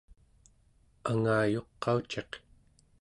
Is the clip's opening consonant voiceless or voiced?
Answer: voiced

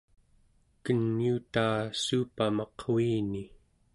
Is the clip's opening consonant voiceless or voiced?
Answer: voiceless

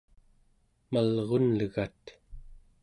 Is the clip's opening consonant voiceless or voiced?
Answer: voiced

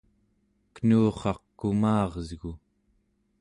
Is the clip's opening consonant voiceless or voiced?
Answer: voiceless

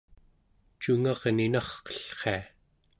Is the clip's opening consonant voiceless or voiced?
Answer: voiceless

